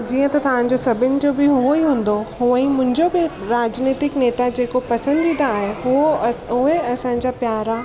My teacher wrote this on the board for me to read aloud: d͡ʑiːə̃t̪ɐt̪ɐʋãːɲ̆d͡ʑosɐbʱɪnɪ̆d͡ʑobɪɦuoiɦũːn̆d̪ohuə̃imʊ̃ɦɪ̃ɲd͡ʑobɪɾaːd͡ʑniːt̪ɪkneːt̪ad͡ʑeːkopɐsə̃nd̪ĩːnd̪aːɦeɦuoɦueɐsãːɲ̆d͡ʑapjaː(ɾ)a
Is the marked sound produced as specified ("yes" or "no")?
yes